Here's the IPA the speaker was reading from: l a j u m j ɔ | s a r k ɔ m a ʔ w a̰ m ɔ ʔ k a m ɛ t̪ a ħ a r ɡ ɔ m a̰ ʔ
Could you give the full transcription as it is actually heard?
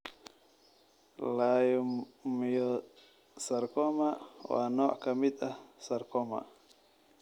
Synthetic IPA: l a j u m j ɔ | s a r k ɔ m a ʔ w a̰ n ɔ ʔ k a m i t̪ a s a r k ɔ m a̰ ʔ

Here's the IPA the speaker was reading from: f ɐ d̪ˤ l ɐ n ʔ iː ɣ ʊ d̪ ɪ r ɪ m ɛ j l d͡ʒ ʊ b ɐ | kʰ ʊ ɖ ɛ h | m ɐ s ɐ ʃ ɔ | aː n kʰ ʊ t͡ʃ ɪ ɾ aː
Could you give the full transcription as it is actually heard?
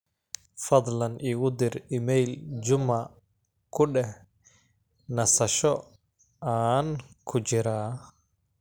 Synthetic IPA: f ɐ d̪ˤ l ɐ n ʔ iː ɣ ʊ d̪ ɪ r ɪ m ɛ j l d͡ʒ ʊ m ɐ | kʰ ʊ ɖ ɛ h | n ɐ s ɐ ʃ ɔ | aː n kʰ ʊ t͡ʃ ɪ ɾ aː

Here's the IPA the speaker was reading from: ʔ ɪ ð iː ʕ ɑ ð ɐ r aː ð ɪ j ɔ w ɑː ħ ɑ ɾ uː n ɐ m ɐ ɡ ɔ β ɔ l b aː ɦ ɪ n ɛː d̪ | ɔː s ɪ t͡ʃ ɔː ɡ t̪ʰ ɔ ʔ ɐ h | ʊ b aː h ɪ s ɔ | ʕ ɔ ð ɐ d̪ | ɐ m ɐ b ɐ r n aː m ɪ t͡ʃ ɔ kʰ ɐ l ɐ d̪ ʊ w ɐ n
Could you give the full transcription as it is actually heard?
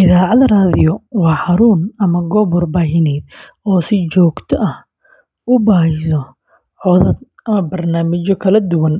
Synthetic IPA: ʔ ɪ ð aː ʕ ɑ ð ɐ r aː ð ɪ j ɔ w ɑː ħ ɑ ɾ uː n ɐ m ɐ ɡ ɔ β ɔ r b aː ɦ ɪ n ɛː d̪ | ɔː s ɪ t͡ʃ ɔː ɡ t̪ʰ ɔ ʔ ɐ h | ʊ b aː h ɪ s ɔ | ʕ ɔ ð ɐ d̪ | ɐ m ɐ b ɐ r n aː m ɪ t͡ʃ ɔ kʰ ɐ l ɐ d̪ ʊ w ɐ n

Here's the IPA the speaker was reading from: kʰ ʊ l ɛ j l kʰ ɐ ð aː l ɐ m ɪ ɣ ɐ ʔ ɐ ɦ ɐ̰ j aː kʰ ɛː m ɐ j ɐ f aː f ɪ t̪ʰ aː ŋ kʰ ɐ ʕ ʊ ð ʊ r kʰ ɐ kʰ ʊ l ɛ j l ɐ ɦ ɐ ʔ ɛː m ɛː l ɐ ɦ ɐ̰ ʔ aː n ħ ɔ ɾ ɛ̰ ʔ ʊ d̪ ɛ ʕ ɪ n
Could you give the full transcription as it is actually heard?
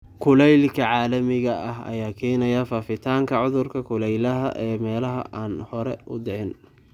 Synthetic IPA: kʰ ʊ l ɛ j l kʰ ɐ ʕ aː l ɐ m ɪ ɣ ɐ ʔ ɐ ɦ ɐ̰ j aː kʰ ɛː n ɐ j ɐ f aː f ɪ t̪ʰ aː ŋ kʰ ɐ ʕ ʊ ð ʊ r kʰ ɐ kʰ ʊ l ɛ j l ɐ ɦ ɐ ʔ ɛː m ɛː l ɐ ɦ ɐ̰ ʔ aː n h ɔ ɾ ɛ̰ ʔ ʊ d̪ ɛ ʕ ɪ n

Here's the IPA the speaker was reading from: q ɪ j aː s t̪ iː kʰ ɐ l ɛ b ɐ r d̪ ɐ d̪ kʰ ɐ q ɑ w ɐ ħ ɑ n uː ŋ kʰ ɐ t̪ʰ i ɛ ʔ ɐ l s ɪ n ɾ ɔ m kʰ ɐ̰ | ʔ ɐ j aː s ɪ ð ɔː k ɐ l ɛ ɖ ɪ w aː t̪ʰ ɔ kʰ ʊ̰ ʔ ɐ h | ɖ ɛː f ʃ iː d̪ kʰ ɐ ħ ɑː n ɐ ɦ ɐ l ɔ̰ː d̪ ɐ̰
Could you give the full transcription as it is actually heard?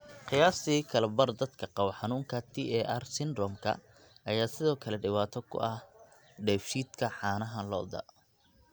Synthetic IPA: q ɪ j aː s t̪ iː kʰ ɐ l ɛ b ɐ r d̪ ɐ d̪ kʰ ɐ q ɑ w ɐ ħ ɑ n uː ŋ kʰ ɐ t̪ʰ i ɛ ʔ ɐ r s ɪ n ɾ ɔ m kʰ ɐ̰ | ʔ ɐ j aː s ɪ ð ɔː kʰ ɐ l ɛ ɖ ɪ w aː t̪ʰ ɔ kʰ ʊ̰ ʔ ɐ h | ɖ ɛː f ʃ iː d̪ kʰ ɐ ħ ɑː n ɐ ɦ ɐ l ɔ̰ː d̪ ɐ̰

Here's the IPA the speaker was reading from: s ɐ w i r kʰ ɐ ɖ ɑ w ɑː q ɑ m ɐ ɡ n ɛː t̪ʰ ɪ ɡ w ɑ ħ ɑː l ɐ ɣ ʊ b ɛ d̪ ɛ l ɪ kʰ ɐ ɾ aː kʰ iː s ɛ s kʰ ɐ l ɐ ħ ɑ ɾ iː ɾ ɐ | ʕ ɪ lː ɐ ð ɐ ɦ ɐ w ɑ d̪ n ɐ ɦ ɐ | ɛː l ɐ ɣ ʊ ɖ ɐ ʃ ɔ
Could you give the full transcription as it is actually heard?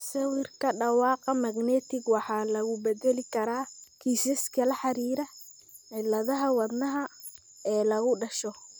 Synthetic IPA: s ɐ w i r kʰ ɐ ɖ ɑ w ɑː q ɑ m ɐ ɡ n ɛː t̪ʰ ɪ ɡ w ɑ ħ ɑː l ɐ ɣ ʊ b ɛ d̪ ɛ l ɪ kʰ ɐ ɾ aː kʰ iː s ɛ s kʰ ɐ l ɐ ħ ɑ ɾ iː ɾ ɐ | ʕ ɪ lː ɐ ð ɐ ɦ ɐ w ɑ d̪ n ɐ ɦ ɐ | ɛː l ɐ ɣ ʊ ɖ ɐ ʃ ɔ

